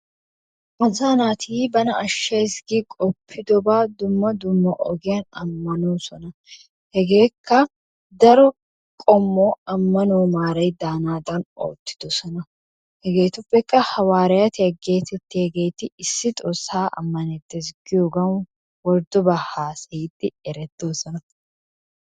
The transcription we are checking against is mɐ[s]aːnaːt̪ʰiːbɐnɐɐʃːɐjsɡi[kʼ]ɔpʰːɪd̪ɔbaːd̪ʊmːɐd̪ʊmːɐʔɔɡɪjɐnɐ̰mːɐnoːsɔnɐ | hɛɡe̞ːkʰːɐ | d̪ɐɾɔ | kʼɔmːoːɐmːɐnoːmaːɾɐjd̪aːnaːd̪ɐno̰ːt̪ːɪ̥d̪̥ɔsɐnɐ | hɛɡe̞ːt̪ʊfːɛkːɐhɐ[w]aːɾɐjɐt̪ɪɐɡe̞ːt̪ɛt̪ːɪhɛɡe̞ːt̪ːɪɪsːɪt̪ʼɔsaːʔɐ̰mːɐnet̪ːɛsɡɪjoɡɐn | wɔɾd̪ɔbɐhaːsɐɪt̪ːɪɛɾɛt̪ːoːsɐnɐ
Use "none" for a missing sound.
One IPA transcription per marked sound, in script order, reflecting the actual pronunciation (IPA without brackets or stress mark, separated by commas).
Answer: z, kʼ, w